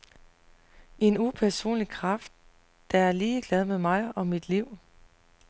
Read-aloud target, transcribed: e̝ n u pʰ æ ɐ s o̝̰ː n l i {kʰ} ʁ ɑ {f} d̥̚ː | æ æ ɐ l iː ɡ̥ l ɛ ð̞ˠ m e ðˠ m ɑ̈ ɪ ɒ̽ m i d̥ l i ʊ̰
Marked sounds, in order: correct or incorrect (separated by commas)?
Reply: correct, correct